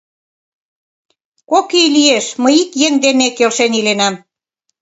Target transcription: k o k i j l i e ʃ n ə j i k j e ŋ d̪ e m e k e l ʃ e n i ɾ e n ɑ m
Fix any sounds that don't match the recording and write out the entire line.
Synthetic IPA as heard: k o k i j l i e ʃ m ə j i k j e ŋ d̪ e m e k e l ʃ e n i l e n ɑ m